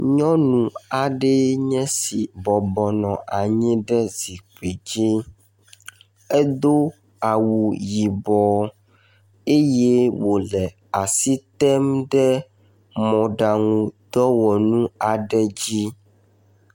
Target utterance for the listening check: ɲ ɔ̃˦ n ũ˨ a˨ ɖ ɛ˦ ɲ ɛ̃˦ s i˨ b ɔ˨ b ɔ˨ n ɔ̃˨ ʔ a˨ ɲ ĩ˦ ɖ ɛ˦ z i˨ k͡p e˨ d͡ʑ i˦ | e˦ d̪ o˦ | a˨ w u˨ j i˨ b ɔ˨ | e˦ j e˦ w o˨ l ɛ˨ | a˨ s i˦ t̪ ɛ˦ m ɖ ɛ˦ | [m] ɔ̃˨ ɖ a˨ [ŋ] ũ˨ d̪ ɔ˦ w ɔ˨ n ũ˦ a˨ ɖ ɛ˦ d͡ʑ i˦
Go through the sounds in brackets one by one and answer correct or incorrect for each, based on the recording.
correct, correct

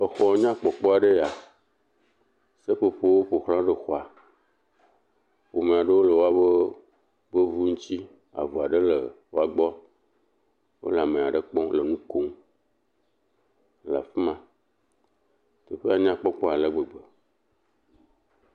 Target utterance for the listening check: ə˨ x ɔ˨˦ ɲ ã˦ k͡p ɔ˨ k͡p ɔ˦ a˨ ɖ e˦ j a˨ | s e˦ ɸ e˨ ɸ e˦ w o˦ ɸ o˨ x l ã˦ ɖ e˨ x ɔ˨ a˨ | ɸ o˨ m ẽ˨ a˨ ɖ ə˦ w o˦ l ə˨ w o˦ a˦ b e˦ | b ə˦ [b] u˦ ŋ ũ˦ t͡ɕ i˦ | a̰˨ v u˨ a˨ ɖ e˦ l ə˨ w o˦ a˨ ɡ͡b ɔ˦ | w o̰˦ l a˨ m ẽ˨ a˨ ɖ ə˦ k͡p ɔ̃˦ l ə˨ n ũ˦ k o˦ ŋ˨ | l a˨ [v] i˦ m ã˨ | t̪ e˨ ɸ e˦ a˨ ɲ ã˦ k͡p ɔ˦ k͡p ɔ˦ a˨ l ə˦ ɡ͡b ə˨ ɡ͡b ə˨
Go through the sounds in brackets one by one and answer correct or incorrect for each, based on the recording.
incorrect, incorrect

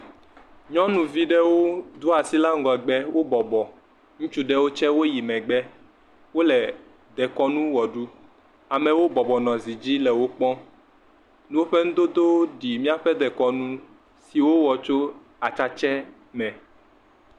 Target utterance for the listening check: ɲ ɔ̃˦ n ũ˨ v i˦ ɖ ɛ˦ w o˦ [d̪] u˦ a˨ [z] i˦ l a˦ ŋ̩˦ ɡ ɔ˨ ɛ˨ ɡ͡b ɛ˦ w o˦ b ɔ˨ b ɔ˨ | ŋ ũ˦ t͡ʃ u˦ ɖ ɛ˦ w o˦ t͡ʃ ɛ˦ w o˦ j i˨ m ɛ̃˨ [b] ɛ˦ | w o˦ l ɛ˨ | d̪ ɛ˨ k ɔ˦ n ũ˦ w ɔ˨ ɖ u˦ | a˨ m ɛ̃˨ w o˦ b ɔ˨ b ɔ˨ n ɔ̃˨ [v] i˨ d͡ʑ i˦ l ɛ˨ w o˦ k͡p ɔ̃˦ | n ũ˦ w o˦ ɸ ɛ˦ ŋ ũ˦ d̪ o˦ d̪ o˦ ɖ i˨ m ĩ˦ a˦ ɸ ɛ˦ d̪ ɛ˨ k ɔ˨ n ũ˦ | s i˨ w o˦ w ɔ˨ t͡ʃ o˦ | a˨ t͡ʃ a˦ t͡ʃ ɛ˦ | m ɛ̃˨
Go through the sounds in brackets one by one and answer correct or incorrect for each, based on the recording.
correct, incorrect, incorrect, incorrect

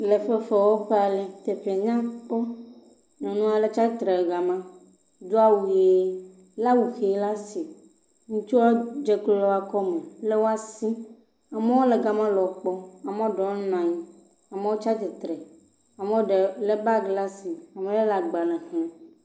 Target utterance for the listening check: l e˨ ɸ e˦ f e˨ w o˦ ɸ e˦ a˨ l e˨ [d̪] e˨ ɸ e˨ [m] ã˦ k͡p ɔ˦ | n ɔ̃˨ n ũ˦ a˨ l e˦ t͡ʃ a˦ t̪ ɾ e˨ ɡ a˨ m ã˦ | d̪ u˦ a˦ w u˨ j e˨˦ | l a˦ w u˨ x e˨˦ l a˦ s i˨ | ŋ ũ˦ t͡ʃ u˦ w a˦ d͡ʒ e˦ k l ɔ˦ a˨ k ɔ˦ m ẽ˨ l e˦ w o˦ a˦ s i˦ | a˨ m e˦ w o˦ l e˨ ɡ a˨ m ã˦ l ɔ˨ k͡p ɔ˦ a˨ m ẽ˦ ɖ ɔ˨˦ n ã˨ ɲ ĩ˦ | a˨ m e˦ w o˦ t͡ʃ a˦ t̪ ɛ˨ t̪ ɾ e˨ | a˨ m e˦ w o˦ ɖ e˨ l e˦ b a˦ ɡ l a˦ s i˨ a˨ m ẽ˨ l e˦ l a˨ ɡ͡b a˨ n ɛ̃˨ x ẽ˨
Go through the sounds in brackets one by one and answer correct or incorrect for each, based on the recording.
incorrect, incorrect

